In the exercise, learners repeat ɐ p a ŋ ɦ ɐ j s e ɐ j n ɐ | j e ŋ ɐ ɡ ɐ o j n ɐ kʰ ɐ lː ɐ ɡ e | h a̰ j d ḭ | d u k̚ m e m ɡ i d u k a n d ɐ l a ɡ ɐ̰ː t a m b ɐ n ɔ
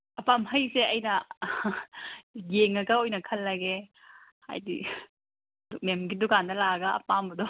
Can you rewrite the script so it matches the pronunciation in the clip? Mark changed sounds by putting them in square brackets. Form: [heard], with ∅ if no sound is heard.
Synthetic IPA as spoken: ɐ p a [m] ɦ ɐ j s e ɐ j n ɐ | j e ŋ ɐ ɡ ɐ o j n ɐ kʰ ɐ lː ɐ ɡ e | h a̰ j d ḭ | d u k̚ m e m ɡ i d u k a n d ɐ l a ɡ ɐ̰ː [p] a m b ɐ [d] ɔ